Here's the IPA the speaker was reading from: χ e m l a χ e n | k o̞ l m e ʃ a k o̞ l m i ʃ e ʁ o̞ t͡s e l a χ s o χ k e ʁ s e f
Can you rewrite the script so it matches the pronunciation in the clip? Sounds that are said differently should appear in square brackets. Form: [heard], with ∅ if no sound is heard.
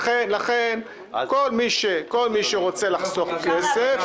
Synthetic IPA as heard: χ e [n] l a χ e n | k o̞ l m [i] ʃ [e] k o̞ l m i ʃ e ʁ o̞ t͡s e l a χ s o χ k e [∅] s e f